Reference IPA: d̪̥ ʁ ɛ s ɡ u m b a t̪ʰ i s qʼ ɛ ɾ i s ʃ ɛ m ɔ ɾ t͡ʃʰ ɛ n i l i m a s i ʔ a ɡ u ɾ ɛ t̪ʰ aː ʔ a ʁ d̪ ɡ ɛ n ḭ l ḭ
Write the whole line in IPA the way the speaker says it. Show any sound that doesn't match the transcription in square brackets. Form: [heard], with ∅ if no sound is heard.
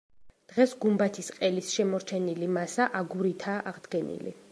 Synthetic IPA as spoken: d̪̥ ʁ ɛ s ɡ u m b a t̪ʰ i s qʼ ɛ [l] i s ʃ ɛ m ɔ ɾ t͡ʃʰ ɛ n i l i m a s [a] ʔ a ɡ u ɾ [i] t̪ʰ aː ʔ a ʁ d̪ ɡ ɛ n ḭ l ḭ